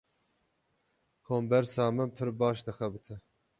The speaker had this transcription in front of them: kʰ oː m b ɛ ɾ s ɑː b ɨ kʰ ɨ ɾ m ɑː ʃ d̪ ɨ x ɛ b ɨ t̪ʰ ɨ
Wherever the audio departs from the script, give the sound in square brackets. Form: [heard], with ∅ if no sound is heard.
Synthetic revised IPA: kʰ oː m b ɛ ɾ s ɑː [m] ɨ [pʰ] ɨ ɾ [b] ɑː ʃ d̪ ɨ x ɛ b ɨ t̪ʰ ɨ